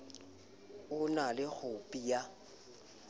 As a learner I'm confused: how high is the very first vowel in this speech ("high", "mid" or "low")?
high